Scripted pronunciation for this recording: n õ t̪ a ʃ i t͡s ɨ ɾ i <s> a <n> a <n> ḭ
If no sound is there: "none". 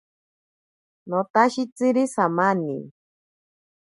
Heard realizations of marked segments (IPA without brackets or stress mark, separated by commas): s, m, n